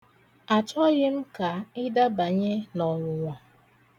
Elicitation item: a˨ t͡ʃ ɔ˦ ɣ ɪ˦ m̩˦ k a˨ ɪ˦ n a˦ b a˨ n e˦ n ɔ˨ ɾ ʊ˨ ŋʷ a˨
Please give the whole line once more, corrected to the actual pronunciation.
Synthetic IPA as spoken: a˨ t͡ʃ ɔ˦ ɣ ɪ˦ m̩˦ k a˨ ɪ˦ d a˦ b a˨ ɲ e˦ n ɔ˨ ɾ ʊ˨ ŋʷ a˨